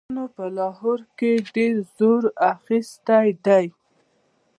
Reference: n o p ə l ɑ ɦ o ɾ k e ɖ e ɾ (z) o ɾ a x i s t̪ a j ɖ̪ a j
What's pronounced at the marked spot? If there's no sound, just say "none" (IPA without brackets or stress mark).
z